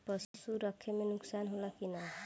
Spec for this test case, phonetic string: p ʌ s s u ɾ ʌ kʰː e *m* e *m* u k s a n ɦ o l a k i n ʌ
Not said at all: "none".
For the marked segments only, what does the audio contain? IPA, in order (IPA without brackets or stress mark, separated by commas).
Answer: m, n